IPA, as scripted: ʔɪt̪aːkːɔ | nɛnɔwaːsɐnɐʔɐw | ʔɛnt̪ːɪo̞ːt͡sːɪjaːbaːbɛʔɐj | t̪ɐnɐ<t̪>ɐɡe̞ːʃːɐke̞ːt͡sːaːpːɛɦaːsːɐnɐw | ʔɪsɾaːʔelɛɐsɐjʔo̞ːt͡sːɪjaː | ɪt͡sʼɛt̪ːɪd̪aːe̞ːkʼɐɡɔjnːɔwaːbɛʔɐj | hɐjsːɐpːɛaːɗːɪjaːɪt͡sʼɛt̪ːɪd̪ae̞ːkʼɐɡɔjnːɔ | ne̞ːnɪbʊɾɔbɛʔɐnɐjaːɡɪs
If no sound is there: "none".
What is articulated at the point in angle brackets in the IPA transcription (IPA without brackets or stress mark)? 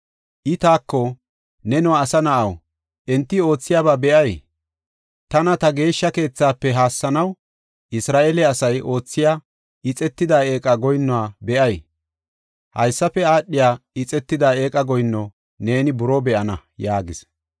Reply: t̪